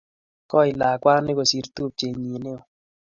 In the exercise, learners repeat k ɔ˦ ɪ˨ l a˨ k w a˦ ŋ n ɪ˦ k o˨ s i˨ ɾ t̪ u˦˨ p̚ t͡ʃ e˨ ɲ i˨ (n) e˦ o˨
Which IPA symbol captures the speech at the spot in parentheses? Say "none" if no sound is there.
n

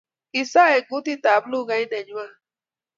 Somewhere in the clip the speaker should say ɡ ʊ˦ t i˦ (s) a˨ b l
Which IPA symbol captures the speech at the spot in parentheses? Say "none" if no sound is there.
t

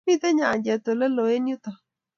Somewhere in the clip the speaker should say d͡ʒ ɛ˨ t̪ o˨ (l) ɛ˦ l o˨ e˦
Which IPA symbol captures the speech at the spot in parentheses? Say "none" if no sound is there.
l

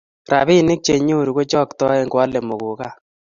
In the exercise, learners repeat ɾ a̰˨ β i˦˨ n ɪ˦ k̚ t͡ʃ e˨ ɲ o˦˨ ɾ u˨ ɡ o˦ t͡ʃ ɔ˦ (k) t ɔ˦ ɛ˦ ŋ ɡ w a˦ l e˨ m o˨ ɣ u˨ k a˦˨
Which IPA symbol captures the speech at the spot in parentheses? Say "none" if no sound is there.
k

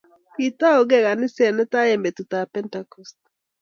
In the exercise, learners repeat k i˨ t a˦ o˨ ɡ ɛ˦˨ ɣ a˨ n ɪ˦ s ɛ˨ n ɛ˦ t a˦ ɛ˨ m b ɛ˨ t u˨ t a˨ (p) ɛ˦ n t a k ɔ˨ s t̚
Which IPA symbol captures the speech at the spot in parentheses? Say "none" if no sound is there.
p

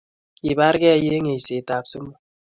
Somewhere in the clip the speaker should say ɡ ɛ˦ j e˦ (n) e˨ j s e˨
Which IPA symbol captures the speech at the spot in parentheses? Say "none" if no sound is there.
ŋ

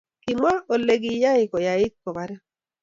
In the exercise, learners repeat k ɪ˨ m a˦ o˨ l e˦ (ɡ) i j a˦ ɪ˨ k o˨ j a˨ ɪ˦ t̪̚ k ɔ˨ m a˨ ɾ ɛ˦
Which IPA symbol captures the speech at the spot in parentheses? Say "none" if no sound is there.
ɡ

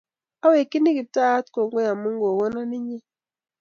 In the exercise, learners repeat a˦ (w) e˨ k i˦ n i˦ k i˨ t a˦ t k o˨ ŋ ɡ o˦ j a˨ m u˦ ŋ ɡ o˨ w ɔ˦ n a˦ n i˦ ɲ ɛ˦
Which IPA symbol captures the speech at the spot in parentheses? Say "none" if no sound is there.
w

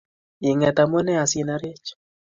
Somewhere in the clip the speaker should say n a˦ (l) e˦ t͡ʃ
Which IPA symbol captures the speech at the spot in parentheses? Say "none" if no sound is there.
ɾ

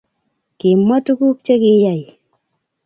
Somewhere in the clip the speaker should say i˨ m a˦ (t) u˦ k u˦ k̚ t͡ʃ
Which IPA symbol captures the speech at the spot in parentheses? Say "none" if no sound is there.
t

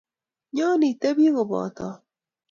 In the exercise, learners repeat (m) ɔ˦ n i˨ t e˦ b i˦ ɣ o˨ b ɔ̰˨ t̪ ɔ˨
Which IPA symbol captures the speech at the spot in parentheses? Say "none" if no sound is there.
ɲ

